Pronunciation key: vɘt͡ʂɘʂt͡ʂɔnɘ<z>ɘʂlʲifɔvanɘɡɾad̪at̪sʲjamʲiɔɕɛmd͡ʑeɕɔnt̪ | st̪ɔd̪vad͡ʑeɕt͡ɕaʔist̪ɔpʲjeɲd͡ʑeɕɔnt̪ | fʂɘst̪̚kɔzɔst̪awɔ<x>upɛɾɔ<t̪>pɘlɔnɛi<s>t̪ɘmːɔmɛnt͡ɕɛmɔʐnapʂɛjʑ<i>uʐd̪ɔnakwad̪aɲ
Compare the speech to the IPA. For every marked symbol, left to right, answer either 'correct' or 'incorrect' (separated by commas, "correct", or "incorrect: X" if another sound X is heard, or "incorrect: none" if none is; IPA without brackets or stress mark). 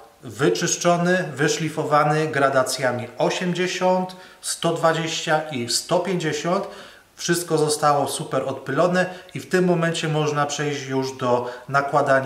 incorrect: v, incorrect: s, correct, incorrect: f, incorrect: j